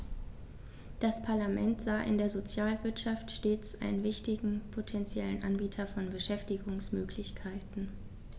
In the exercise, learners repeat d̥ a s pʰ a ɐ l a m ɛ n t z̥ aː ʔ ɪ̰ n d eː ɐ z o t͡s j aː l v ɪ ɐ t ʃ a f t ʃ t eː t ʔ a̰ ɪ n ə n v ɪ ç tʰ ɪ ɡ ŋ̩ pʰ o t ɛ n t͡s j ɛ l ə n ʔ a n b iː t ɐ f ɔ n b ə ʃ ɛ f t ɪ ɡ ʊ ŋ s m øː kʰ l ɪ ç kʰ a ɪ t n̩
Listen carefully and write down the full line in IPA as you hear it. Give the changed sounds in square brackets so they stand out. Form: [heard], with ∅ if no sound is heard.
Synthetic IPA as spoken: d̥ a s pʰ a ɐ l a m ɛ n t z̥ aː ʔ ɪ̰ n d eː ɐ z o t͡s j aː l v ɪ ɐ t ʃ a f t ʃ t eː [t͡s] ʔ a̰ ɪ n ə n v ɪ ç [t] ɪ ɡ ŋ̩ pʰ o [tʰ] ɛ n t͡s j ɛ l ə n ʔ a n b iː [tʰ] ɐ f ɔ n b ə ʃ ɛ f t ɪ ɡ ʊ ŋ s m øː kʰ l ɪ ç kʰ a ɪ t n̩